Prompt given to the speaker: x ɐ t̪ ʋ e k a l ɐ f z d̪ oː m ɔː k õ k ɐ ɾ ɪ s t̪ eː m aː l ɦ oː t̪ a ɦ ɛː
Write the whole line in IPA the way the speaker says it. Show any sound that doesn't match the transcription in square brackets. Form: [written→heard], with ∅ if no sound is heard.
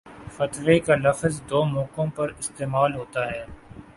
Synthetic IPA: [x→f] ɐ t̪ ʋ e k a l ɐ f z d̪ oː m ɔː k õ [k→p] ɐ ɾ ɪ s t̪ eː m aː l ɦ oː t̪ a ɦ ɛː